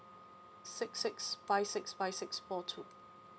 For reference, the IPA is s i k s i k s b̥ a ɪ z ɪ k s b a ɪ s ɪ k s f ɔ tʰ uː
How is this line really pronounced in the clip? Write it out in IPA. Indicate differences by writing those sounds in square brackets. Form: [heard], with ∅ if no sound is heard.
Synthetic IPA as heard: s [ɪ] k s [ɪ] k s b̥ a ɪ [s] ɪ k s b a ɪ s ɪ k s f ɔ tʰ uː